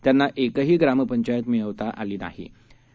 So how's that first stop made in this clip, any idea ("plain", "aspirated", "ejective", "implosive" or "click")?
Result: plain